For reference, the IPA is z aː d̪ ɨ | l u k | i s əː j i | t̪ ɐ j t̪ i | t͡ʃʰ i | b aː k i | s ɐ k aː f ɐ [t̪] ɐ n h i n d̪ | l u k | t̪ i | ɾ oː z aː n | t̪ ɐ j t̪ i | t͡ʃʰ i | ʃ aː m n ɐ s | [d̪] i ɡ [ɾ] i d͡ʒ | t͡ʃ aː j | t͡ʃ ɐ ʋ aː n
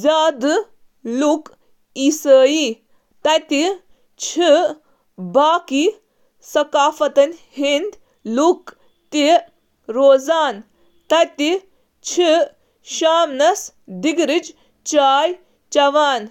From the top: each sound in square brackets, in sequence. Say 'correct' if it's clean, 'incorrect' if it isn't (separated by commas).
correct, correct, correct